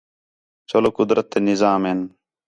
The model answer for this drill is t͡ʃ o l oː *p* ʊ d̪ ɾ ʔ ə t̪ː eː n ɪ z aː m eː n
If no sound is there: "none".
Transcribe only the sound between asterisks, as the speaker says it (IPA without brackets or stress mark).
k